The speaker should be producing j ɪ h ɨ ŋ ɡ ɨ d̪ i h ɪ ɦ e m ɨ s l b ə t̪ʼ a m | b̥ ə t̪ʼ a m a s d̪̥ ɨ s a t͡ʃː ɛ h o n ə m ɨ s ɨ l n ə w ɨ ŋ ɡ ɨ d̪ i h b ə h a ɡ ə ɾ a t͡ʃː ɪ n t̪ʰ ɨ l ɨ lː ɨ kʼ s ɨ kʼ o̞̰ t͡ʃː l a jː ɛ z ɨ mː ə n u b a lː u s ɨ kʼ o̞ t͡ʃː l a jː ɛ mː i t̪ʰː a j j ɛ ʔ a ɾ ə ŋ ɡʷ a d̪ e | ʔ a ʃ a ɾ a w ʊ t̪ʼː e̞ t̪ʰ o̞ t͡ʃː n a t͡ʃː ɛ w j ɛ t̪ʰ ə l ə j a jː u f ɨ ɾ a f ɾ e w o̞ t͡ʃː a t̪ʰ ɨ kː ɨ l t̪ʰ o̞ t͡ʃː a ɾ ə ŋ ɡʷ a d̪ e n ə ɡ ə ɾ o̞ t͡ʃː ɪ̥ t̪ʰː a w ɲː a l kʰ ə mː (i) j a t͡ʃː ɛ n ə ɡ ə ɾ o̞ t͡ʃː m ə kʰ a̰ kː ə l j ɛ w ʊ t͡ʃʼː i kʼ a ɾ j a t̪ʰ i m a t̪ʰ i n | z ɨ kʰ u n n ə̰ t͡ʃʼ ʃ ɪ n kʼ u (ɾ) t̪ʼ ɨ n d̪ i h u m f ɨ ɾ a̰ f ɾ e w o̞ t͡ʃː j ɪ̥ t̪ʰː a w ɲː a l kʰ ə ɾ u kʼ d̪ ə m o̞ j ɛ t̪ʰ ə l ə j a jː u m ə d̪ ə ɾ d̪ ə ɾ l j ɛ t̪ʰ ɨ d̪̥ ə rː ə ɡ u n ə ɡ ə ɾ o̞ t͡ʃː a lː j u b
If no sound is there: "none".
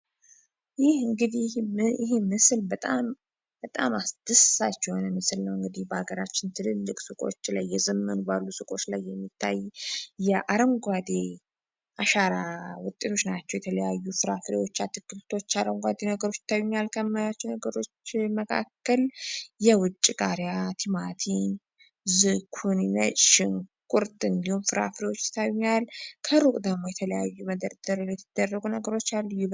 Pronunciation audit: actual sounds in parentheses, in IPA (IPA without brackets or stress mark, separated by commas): a, ɾ